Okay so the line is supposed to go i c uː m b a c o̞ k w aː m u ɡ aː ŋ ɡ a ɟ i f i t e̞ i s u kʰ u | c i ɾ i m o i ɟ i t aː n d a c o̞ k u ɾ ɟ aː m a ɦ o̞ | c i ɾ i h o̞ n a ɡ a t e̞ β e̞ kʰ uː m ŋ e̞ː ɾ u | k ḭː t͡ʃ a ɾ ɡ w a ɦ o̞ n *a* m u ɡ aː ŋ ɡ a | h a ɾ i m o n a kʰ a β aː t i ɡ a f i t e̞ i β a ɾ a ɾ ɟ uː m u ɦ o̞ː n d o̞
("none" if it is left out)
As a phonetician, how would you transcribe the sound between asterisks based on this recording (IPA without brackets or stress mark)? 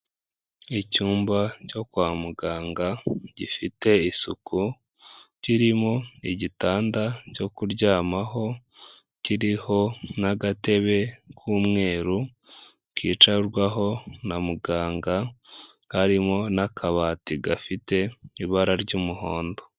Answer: a